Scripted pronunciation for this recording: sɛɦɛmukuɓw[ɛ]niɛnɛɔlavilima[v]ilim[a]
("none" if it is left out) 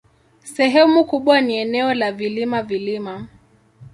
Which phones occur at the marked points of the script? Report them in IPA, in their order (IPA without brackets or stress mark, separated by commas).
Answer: a, v, a